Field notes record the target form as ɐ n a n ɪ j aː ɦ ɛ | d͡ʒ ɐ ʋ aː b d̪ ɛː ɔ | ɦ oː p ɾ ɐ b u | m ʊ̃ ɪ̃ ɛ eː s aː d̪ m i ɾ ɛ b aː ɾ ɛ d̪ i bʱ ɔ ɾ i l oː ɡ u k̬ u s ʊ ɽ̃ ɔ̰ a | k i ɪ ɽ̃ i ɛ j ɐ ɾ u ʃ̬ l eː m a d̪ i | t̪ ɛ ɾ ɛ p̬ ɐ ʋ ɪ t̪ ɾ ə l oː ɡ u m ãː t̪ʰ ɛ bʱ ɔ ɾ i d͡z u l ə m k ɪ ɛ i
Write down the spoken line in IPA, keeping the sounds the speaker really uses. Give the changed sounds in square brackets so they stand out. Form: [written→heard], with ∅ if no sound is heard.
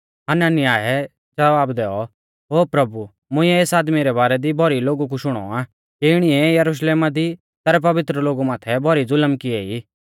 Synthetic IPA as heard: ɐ n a n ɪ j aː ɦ ɛ | d͡ʒ ɐ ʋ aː b d̪ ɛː ɔ | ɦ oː p ɾ ɐ b u | m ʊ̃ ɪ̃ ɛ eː s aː d̪ m i ɾ ɛ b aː ɾ ɛ d̪ i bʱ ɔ ɾ i l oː ɡ u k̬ u [s→ʃ] ʊ ɽ̃ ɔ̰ a | k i ɪ ɽ̃ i ɛ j ɐ ɾ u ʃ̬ l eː m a d̪ i | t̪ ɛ ɾ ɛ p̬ ɐ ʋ ɪ t̪ ɾ ə l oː ɡ u m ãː t̪ʰ ɛ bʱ ɔ ɾ i d͡z [u→ʊ] l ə m k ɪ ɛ i